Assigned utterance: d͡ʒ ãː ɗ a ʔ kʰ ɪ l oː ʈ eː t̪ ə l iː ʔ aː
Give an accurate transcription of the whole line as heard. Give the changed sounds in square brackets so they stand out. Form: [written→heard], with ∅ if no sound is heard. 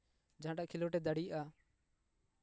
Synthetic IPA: d͡ʒ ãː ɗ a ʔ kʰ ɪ l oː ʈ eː [t̪→d̪] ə [l→ɽ] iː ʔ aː